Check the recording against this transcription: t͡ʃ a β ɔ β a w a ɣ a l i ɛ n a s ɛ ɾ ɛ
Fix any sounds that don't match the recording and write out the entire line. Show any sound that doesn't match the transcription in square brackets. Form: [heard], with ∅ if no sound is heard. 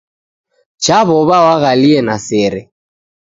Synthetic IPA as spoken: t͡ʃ a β ɔ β a w a ɣ a l i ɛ n a s ɛ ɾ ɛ